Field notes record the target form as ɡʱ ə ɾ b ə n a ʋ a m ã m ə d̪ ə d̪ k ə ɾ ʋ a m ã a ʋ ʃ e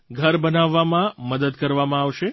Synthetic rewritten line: ɡʱ ə ɾ b ə n a ʋː a m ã m ə d̪ ə d̪ k ə ɾ ʋ a m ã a ʋ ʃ e